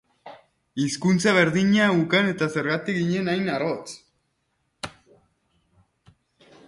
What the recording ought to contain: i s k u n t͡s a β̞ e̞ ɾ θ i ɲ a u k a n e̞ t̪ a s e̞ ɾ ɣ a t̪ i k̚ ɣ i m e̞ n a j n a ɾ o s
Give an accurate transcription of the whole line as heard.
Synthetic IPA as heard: i s k u n t͡s a β̞ e̞ ɾ ð i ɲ a u k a n e̞ t̪ a s e̞ ɾ ɣ a t̪ i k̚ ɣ i ɲ e̞ n a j n a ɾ o t͡s

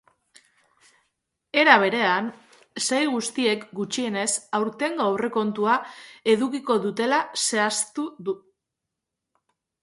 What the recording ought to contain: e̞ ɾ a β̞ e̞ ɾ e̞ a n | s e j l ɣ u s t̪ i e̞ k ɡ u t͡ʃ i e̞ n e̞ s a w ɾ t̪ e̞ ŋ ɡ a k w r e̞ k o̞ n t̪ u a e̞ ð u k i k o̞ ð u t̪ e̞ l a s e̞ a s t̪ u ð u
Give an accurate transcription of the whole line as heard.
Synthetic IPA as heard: e̞ ɾ a β̞ e̞ ɾ e̞ a n | s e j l ɣ u s t̪ i e̞ k ɡ u t͡ʃ i e̞ n e̞ s a w ɾ t̪ e̞ ŋ ɡ a w r e̞ k o̞ n t̪ u a e̞ ð u k i k o̞ ð u t̪ e̞ l a s e̞ a s t̪ u ð u

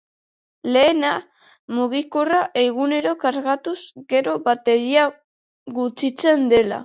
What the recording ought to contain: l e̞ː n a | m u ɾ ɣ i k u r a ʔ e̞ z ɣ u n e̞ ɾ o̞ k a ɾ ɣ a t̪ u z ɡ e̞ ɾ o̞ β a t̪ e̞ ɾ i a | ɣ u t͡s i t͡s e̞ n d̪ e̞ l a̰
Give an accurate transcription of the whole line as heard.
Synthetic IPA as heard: l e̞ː n a | m u ɣ i k o r a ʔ e̞ ɣ u n e̞ ɾ o̞ k a ɾ ɣ a t̪ u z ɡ e̞ ɾ o̞ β a t̪ e̞ ɾ i a | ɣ u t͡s i t͡s e̞ n d̪ e̞ l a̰

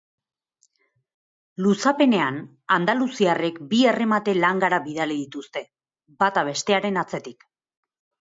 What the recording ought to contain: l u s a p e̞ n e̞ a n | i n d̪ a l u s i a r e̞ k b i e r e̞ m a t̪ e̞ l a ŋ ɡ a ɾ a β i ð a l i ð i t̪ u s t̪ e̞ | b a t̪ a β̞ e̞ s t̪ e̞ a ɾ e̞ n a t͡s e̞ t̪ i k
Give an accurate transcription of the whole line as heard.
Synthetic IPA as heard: l u s a p e̞ n e̞ a n | a n d̪ a l u s i a r e̞ k b i e r e̞ m a t̪ e̞ l a ŋ ɡ a ɾ a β i ð a l i ð i t̪ u s t̪ e̞ | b a t̪ a β̞ e̞ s t̪ e̞ a ɾ e̞ n a t͡s e̞ t̪ i k

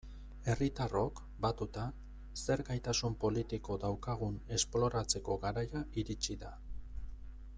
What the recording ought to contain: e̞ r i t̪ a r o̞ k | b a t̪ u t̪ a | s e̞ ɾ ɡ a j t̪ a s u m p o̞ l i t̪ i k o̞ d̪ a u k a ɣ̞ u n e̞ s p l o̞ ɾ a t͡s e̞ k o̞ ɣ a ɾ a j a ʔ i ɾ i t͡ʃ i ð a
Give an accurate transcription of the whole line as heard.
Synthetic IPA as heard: e̞ r i t̪ a r o̞ k | b a t̪ u t̪ a | s e̞ ɾ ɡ a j t̪ a s u m p o̞ l i t̪ i k o̞ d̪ a w k a ɣ̞ u n e̞ s p l o̞ ɾ a t͡s e̞ k o̞ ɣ a ɾ a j a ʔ i ɾ i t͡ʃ i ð a

